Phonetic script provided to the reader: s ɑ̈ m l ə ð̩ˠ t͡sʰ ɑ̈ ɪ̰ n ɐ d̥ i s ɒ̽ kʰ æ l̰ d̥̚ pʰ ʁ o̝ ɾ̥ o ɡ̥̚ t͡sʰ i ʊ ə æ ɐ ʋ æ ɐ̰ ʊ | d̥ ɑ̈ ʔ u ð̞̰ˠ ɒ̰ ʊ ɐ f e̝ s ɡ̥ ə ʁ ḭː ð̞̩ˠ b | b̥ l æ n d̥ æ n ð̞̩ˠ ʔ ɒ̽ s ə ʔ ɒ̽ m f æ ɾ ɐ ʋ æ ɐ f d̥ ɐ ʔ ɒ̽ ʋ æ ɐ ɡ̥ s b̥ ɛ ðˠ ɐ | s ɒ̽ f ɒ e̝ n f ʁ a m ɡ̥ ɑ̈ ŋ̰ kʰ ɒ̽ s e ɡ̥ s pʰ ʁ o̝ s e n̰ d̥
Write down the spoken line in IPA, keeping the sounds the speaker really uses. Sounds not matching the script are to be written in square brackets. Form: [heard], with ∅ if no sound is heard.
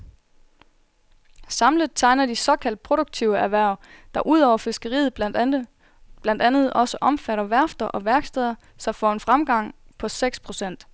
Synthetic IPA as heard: s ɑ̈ m l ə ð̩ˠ t͡sʰ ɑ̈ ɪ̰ n ɐ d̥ i s ɒ̽ kʰ æ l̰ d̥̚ pʰ ʁ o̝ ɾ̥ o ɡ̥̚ t͡sʰ i ʊ ə æ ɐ ʋ æ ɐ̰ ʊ | d̥ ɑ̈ ʔ u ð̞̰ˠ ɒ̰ ʊ ɐ f e̝ s ɡ̥ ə ʁ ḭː ð̞̩ˠ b | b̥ l æ n d̥ æ n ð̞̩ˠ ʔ ɒ̽ s ə ʔ ɒ̽ m f æ ɾ ɐ ʋ æ ɐ f d̥ ɐ ʔ ɒ̽ ʋ æ ɐ ɡ̥ s [d̥] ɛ ðˠ ɐ | s ɒ̽ f ɒ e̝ n f ʁ a m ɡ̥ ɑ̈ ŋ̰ [pʰ] ɒ̽ s e ɡ̥ s pʰ ʁ o̝ s e n̰ d̥

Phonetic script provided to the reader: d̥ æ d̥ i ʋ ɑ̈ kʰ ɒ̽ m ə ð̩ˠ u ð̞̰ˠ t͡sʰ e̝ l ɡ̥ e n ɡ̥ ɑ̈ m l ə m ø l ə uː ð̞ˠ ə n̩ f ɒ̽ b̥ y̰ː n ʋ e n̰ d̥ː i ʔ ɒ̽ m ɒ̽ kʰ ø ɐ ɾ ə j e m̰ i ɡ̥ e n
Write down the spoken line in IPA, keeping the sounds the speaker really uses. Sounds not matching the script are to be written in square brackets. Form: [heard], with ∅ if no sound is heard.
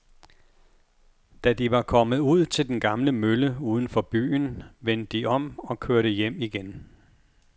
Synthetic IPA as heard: d̥ æ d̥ i ʋ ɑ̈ kʰ ɒ̽ m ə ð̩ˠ u ð̞̰ˠ t͡sʰ e̝ l [d̥] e n ɡ̥ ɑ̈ m l ə m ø l ə uː ð̞ˠ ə n̩ f ɒ̽ b̥ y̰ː n ʋ e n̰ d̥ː i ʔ ɒ̽ m ɒ̽ kʰ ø ɐ ɾ ə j e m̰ i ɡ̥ e n

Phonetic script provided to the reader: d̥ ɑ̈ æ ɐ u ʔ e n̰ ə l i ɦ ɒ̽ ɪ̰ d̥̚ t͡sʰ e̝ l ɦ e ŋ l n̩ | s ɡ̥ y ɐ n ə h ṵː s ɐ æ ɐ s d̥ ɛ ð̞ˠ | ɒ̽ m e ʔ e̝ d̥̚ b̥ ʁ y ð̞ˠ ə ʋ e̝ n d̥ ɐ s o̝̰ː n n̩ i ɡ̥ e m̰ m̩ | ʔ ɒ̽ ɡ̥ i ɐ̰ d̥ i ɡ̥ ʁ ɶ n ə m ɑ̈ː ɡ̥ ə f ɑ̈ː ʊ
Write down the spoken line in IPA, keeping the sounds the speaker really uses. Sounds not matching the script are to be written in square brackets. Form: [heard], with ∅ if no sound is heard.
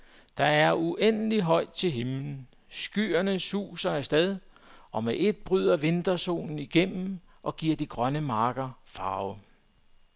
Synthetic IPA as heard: d̥ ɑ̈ æ ɐ u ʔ e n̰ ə l i ɦ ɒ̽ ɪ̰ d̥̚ t͡sʰ e̝ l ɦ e [m] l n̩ | s ɡ̥ y ɐ n ə [s] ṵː s ɐ æ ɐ s d̥ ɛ ð̞ˠ | ɒ̽ m e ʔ e̝ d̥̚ b̥ ʁ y ð̞ˠ [ɐ] ʋ e̝ n d̥ ɐ s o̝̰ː n n̩ i ɡ̥ e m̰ m̩ | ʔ ɒ̽ ɡ̥ i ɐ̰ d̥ i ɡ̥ ʁ ɶ n ə m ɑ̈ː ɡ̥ [ɐ] f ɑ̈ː ʊ

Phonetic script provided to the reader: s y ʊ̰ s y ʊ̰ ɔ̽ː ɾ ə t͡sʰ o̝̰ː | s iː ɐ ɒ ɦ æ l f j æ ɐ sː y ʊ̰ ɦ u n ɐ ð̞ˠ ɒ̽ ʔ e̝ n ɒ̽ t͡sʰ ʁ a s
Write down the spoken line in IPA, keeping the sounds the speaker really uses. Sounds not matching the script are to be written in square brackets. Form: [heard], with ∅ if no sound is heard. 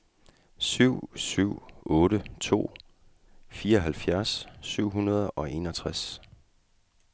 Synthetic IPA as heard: s y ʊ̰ s y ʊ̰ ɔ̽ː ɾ ə t͡sʰ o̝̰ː | [f] iː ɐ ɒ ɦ æ l f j æ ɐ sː y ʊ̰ ɦ u n ɐ ð̞ˠ ɒ̽ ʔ e̝ n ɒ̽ t͡sʰ ʁ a s

